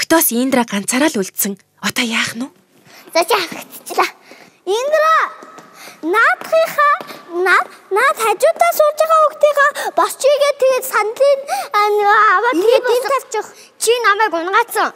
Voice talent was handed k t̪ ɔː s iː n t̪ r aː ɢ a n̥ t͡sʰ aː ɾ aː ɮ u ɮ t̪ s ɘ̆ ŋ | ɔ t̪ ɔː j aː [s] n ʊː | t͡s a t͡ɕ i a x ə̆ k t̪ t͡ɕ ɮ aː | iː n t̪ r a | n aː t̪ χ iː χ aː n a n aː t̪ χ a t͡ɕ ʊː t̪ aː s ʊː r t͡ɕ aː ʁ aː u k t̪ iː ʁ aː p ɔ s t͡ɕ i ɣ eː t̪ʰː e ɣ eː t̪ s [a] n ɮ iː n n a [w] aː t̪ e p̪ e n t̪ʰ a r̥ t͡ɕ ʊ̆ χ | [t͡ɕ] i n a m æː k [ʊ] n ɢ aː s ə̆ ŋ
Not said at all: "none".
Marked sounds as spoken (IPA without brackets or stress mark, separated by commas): χ, a, w, t͡ɕʰ, ʊ